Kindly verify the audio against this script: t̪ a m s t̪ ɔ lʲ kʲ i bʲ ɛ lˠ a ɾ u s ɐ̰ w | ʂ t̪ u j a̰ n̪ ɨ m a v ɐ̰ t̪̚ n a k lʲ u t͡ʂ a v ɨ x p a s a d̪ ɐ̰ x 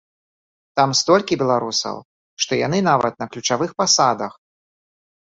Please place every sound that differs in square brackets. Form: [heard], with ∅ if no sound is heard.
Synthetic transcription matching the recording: t̪ a m s t̪ ɔ lʲ kʲ i bʲ ɛ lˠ a ɾ u s ɐ̰ w | ʂ t̪ [ɔ] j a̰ n̪ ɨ [n] a v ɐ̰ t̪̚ n [ɐ] k lʲ u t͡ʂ a v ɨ x p a s a d̪ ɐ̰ x